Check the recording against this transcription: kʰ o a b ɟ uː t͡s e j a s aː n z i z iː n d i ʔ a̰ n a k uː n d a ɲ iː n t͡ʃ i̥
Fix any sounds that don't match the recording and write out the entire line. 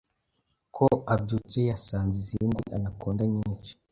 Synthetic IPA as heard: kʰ o a b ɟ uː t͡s e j a s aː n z i z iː n d i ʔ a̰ n a k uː n d a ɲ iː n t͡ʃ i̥